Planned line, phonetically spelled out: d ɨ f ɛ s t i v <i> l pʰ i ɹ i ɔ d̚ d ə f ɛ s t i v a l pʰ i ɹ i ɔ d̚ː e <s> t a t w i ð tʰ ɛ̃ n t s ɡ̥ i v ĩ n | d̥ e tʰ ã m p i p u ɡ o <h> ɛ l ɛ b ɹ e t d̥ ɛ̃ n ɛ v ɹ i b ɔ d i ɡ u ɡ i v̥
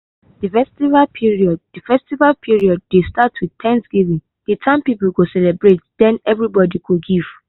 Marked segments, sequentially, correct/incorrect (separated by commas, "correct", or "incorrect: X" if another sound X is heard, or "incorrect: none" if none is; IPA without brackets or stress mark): incorrect: a, correct, incorrect: s